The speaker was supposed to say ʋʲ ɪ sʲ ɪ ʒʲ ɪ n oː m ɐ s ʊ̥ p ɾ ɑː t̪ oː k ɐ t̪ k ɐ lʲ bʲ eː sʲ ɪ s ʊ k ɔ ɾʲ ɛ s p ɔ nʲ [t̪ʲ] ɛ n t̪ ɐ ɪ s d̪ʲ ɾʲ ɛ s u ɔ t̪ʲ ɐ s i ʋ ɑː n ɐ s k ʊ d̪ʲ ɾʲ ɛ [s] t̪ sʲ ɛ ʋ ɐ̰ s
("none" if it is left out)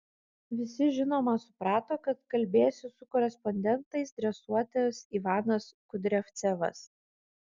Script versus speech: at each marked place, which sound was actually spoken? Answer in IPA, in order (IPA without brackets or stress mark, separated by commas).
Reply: d̪ʲ, f